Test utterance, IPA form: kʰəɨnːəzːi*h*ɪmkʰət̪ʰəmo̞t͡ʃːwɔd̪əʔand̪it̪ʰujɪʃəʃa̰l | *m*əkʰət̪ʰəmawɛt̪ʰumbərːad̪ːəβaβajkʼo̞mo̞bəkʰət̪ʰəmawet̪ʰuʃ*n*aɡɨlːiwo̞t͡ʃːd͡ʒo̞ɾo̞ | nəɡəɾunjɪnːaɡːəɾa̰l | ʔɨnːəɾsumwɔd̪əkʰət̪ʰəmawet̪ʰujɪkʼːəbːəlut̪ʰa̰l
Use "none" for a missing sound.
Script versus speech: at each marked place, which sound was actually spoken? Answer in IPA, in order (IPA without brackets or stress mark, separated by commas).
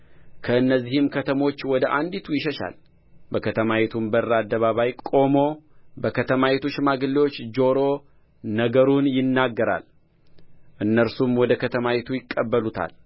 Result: h, b, m